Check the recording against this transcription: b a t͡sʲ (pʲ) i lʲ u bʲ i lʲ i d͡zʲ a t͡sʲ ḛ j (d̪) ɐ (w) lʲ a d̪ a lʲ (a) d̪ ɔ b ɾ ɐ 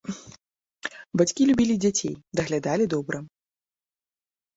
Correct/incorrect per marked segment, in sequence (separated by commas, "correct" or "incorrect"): incorrect, correct, incorrect, incorrect